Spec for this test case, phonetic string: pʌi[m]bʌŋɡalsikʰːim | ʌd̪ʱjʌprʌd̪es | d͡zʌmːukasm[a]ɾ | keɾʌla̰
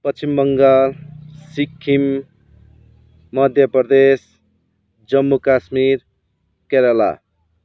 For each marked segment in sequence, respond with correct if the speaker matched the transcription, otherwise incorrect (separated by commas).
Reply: correct, incorrect